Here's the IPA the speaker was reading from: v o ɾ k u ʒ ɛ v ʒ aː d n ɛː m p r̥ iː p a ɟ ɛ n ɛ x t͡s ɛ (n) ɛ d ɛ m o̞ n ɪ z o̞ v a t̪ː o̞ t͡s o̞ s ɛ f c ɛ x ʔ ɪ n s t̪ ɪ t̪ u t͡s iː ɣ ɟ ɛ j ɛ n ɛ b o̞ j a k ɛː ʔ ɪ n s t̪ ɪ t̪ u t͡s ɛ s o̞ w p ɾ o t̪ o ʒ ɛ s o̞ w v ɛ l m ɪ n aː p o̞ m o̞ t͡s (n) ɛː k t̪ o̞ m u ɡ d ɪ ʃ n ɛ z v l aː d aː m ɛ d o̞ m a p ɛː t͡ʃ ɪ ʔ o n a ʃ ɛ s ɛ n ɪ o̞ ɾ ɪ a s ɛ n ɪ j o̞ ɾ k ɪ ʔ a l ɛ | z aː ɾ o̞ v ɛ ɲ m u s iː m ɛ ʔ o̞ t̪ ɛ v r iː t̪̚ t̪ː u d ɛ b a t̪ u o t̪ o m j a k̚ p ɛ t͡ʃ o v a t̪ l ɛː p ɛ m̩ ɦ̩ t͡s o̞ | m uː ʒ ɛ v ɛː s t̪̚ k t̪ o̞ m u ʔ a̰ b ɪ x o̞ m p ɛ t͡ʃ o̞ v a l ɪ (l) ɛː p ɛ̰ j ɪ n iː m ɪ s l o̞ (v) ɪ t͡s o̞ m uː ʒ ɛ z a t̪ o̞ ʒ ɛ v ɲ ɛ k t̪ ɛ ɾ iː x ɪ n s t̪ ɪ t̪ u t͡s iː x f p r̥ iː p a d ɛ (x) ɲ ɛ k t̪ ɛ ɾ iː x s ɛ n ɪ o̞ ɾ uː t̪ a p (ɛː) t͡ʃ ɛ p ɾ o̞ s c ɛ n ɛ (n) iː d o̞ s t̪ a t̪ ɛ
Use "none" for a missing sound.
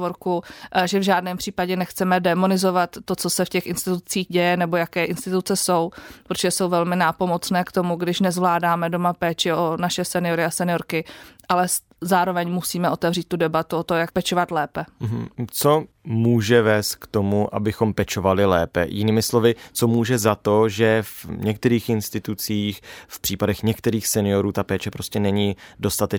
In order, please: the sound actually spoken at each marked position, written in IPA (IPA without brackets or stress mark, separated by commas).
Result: m, n, l, v, x, ɛː, ɲ